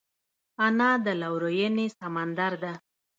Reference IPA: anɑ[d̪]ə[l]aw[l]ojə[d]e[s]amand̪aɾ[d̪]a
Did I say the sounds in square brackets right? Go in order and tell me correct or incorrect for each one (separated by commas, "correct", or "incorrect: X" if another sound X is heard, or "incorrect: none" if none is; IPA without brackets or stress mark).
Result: correct, correct, incorrect: ɾ, incorrect: n, correct, correct